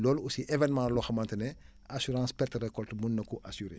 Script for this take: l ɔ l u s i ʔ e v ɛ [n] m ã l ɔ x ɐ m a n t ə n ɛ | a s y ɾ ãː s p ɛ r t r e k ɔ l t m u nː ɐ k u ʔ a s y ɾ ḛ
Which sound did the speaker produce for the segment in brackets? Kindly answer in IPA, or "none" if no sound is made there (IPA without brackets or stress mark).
n